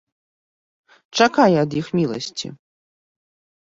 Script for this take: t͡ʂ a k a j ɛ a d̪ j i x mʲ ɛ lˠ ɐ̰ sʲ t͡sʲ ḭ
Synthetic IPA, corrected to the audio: t͡ʂ a k a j ɛ ɐ d̪ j i x mʲ i lˠ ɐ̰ sʲ t͡sʲ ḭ